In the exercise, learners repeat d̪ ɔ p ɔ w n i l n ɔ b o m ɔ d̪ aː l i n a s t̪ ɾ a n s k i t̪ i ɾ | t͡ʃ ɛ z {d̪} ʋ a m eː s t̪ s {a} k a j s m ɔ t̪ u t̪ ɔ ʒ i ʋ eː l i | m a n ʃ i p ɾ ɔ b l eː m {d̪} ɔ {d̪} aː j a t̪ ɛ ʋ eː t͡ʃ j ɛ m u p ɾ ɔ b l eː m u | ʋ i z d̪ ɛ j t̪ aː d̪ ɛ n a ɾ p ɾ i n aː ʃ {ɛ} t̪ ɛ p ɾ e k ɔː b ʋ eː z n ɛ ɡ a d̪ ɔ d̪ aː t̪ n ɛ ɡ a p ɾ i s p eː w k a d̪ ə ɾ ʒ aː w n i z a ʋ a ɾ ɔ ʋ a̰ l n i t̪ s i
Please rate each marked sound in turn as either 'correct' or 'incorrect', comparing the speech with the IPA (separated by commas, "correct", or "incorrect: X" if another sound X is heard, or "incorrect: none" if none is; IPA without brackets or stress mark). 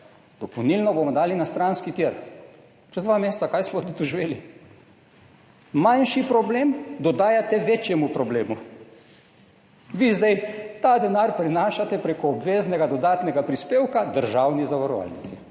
correct, correct, correct, correct, incorrect: a